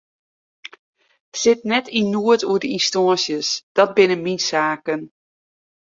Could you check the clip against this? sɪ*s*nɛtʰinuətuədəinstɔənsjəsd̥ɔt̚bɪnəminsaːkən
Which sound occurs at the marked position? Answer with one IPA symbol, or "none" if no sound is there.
t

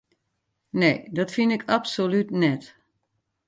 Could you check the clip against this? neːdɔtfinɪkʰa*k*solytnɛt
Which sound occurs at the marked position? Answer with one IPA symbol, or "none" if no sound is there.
p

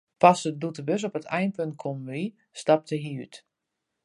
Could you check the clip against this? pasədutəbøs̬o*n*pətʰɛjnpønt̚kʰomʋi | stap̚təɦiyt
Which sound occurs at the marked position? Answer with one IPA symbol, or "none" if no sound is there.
none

